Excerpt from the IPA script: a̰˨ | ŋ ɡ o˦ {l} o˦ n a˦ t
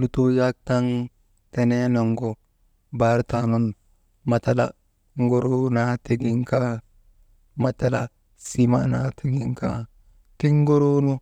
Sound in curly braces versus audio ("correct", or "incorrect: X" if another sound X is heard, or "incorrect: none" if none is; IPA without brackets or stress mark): incorrect: ɾ